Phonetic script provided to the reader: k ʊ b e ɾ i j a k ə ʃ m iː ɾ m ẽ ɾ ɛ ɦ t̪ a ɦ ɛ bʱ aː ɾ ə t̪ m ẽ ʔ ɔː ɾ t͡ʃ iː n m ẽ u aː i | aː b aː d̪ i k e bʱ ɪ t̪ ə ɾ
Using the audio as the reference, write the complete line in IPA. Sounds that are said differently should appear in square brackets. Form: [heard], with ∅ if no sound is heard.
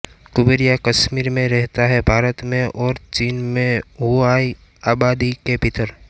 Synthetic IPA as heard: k ʊ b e ɾ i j a k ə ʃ m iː ɾ m ẽ ɾ ɛ ɦ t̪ a ɦ ɛ bʱ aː ɾ ə t̪ m ẽ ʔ ɔː ɾ t͡ʃ iː n m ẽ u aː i | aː b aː d̪ i k e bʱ ɪ t̪ ə ɾ